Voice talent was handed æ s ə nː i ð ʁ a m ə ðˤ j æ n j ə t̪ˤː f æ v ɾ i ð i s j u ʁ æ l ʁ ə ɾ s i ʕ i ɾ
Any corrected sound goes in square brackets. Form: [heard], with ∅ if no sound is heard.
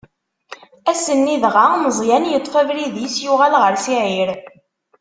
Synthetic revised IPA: æ s ə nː i ð ʁ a m ə [zˤ] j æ n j ə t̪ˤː f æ v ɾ i ð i s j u ʁ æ l ʁ ə ɾ s i ʕ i ɾ